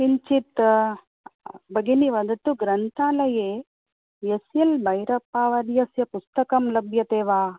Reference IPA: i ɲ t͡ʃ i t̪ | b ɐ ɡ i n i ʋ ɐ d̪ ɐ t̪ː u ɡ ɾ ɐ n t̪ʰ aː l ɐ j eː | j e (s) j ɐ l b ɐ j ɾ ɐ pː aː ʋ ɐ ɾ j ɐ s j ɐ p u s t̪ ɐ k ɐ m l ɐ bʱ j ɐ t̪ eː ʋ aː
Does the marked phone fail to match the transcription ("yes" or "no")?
no